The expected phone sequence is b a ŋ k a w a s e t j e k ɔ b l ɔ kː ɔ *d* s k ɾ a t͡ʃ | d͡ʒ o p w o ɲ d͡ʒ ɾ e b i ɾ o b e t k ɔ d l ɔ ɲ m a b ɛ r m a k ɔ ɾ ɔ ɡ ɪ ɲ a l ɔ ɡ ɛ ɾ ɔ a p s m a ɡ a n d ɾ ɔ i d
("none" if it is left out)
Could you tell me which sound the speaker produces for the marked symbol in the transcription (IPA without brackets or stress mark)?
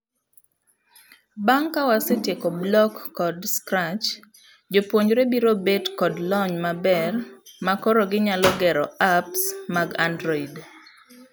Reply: d